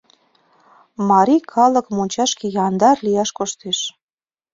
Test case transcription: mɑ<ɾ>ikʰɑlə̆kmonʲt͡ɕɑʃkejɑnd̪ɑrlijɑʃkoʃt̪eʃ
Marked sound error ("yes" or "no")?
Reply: no